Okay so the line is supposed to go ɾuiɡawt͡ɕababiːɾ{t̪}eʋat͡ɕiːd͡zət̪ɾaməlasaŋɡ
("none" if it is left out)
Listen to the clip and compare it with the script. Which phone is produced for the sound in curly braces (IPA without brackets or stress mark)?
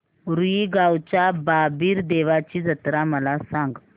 d̪